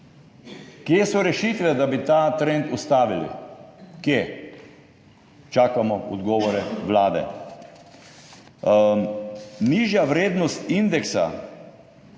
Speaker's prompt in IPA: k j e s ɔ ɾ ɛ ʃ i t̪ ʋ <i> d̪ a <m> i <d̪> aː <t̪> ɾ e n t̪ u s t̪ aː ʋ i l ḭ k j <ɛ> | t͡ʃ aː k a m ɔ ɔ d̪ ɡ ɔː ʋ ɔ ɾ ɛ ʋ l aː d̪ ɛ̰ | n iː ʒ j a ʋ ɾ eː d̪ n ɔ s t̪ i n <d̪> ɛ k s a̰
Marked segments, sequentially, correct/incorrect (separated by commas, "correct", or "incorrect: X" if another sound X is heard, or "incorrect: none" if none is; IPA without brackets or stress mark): incorrect: ɛ, incorrect: b, incorrect: t̪, correct, incorrect: e, correct